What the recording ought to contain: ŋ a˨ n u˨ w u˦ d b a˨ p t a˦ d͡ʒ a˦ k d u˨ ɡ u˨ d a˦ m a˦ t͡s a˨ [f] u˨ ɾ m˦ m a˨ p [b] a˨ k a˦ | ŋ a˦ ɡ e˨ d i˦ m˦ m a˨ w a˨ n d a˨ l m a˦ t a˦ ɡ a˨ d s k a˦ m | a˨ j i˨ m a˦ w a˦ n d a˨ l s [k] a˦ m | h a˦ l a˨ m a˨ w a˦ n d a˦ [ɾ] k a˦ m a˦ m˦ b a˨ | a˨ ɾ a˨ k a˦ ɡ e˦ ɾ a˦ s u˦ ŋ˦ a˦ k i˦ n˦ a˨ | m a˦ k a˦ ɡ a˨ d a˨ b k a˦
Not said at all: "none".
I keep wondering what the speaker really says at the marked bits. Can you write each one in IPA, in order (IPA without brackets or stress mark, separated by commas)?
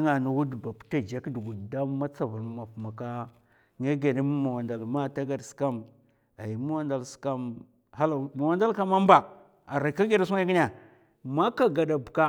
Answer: v, m, k, l